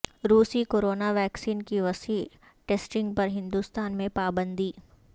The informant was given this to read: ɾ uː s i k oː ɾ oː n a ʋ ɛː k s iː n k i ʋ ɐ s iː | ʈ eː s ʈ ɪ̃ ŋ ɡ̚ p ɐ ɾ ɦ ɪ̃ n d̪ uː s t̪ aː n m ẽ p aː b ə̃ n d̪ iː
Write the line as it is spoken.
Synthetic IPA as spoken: ɾ uː s i k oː ɾ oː n a ʋ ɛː k s iː n k i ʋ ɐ s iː | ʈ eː s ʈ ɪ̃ ŋ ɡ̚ p ɐ ɾ ɦ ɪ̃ n d̪ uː s t̪ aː n m ẽ p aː b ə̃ n d̪ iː